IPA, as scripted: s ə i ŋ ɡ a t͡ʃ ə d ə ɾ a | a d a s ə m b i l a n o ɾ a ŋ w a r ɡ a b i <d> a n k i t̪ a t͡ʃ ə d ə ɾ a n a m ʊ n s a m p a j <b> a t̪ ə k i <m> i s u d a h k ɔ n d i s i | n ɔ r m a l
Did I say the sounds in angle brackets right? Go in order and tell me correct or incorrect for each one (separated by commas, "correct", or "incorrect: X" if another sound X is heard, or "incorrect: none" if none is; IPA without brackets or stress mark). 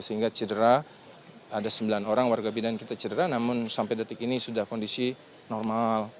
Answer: correct, incorrect: d, incorrect: n